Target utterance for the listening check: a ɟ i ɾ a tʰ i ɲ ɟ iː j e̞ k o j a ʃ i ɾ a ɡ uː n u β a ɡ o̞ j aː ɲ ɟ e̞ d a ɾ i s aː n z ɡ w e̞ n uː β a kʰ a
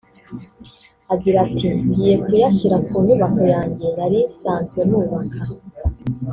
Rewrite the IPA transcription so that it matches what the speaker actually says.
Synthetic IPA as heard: a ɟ i ɾ a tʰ i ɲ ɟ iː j e̞ k u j a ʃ i ɾ a k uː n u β a k o̞ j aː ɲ ɟ e̞ n a ɾ i s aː n z ɡ w e̞ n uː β a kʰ a